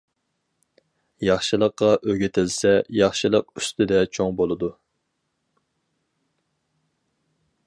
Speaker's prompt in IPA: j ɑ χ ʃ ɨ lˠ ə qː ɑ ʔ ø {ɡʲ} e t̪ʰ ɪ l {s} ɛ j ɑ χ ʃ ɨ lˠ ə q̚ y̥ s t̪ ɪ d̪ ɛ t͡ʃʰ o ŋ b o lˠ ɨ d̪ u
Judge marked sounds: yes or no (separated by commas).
yes, yes